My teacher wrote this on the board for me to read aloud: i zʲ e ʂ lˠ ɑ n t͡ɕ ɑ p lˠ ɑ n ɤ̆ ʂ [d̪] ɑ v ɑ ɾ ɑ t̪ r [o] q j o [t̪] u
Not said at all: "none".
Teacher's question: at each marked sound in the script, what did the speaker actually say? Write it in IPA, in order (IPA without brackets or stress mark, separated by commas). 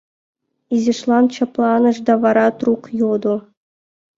d̪, u, d̪